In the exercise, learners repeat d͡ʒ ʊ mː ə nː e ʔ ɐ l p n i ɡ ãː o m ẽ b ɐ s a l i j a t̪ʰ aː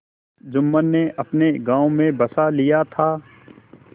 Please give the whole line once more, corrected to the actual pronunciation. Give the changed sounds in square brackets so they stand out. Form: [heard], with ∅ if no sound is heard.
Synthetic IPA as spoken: d͡ʒ ʊ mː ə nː e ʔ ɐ [∅] p n [e] ɡ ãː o m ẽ b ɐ s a l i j a t̪ʰ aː